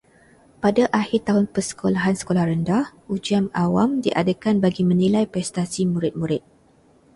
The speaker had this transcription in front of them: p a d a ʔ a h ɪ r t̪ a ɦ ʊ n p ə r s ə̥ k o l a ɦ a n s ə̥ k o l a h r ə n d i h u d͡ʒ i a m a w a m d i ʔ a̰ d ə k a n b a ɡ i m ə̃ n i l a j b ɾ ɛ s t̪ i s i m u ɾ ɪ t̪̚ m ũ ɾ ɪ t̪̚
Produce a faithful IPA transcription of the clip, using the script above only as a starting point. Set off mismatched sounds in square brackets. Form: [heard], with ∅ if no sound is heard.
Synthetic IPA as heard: p a d a ʔ a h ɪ r t̪ a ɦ ʊ n p ə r s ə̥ k o l a ɦ a n s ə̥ k o l a h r ə n d [a] h u d͡ʒ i a m a w a m d i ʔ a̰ d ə k a n b a ɡ i m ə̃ n i l a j [p] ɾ ɛ s t̪ [a] s i m u ɾ ɪ t̪̚ m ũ ɾ ɪ t̪̚